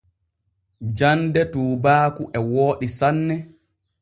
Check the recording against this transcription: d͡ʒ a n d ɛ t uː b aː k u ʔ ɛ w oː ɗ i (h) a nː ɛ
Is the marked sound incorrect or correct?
incorrect: s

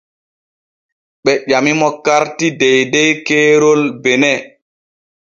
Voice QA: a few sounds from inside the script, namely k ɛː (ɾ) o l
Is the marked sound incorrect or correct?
correct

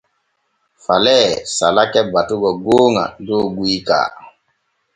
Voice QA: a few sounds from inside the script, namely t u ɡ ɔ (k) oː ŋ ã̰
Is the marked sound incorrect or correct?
incorrect: ɡ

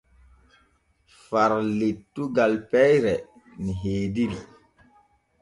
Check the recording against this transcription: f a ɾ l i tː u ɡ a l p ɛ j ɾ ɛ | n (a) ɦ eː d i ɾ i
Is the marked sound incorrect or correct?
incorrect: i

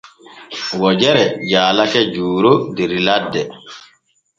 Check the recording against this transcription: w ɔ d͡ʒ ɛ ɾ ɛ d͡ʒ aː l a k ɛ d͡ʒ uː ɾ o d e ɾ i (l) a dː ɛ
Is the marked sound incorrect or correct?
correct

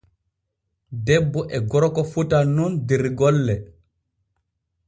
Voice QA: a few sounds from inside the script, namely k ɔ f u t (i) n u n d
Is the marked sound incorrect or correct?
incorrect: a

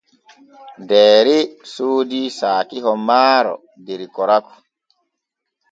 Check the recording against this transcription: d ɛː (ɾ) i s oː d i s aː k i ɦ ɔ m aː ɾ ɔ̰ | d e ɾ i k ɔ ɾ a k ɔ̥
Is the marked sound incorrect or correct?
correct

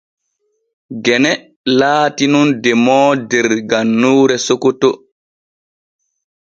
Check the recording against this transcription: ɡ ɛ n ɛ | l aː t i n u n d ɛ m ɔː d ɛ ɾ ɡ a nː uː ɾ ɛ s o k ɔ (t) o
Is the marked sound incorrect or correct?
correct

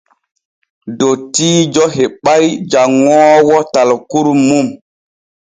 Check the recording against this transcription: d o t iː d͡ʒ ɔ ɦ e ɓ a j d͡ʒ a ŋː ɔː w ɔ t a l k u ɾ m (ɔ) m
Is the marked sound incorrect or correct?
incorrect: u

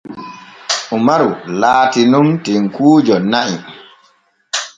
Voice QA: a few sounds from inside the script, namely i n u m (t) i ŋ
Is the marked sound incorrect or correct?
correct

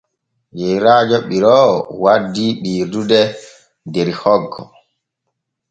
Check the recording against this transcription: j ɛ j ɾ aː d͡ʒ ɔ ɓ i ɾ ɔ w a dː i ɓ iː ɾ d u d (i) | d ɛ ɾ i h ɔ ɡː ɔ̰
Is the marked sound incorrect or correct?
incorrect: ɛ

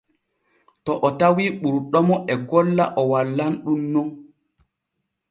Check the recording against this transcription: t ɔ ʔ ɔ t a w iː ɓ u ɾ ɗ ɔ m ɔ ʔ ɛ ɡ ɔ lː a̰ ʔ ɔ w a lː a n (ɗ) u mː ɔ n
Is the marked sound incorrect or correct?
correct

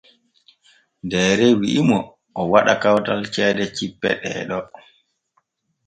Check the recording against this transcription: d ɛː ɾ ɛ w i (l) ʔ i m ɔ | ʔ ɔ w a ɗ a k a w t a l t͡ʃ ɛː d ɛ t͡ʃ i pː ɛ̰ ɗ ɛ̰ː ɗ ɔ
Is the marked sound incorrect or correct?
incorrect: none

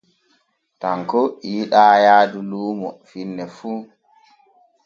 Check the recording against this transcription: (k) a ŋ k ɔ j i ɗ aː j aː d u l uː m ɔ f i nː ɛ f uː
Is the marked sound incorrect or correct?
incorrect: t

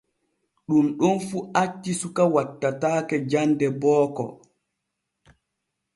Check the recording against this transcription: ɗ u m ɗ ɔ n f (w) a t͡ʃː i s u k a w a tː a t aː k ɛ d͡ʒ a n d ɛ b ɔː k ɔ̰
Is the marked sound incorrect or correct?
incorrect: u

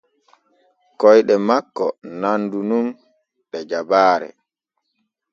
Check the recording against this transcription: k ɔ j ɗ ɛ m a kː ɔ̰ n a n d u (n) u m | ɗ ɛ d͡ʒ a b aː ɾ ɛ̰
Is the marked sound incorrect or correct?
correct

